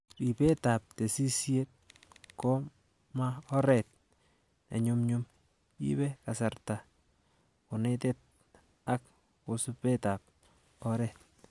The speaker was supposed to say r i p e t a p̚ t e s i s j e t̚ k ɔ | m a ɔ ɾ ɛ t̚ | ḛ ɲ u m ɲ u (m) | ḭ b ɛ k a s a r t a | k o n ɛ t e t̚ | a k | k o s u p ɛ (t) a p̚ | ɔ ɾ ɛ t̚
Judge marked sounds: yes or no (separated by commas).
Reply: yes, yes